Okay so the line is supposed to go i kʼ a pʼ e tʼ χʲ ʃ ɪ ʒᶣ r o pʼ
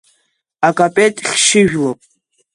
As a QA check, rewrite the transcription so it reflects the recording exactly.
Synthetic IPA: a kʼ a pʼ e tʼ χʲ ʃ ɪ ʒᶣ l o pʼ